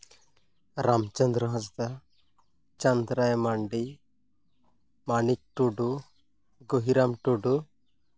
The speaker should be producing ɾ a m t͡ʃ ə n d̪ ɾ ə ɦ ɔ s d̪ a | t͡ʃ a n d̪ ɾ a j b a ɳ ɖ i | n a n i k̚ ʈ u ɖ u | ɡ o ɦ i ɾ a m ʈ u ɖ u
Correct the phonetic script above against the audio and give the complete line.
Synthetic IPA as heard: ɾ a m t͡ʃ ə n d̪ ɾ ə ɦ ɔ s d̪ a | t͡ʃ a n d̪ ɾ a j m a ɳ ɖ i | m a n i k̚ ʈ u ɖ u | ɡ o ɦ i ɾ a m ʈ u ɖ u